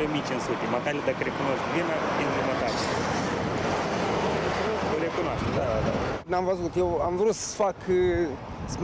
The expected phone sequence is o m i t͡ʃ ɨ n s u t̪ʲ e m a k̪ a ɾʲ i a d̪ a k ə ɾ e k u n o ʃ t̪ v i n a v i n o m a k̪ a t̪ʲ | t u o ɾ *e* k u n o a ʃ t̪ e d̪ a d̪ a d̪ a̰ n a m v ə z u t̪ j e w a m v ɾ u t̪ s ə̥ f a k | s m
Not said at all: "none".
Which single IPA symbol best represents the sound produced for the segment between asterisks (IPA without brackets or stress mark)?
e